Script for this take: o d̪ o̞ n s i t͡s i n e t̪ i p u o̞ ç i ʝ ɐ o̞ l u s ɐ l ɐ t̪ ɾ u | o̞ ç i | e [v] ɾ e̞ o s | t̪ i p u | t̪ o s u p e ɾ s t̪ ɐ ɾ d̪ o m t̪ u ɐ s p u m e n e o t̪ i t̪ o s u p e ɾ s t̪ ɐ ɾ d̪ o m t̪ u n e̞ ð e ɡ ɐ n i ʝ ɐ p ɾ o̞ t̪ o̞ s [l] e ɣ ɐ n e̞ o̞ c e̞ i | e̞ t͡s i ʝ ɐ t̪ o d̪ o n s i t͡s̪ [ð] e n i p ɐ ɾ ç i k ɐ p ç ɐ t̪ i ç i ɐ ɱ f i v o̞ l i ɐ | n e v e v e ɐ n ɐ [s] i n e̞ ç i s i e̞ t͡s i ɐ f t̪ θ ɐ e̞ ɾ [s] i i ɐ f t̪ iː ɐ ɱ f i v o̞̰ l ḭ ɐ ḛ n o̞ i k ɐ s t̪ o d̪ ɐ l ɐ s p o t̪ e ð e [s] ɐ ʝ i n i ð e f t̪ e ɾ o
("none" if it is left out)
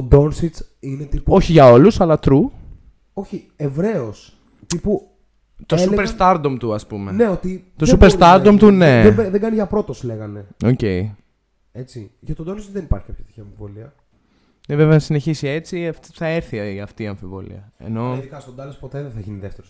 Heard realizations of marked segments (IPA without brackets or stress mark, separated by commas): v, l, ð, s, θ, θ